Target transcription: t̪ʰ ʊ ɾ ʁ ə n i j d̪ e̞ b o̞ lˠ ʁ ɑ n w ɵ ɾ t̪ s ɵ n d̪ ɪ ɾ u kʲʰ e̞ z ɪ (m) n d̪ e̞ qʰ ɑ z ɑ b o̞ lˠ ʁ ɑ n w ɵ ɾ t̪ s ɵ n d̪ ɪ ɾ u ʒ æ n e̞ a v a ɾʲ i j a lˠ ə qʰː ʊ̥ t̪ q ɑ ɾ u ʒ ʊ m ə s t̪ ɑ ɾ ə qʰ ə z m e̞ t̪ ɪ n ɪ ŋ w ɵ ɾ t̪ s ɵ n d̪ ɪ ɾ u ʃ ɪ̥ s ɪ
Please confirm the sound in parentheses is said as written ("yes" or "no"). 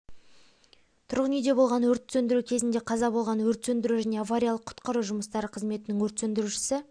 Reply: no